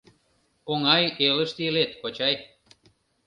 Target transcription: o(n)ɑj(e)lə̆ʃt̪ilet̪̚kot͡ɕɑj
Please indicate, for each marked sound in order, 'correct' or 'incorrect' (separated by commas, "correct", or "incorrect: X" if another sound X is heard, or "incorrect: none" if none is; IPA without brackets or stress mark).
incorrect: ŋ, correct